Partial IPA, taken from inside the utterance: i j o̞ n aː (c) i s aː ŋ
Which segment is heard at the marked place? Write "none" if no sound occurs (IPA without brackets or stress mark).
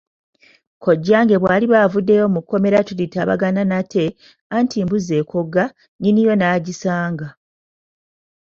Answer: ɟ